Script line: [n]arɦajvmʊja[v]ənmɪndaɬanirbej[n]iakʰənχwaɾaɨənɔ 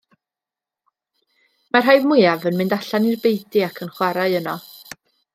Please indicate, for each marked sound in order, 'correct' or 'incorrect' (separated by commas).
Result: incorrect, correct, incorrect